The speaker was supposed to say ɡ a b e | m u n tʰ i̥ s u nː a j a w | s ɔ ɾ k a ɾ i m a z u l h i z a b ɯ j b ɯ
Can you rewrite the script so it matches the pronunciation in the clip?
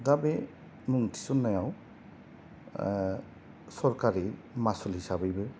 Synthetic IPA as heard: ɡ a b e | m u ŋ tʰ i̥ s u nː a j a w | s ɔ ɾ k a ɾ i m a s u l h i s a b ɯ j b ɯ